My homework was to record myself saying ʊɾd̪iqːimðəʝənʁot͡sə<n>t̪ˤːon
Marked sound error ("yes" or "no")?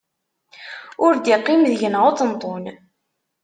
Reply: no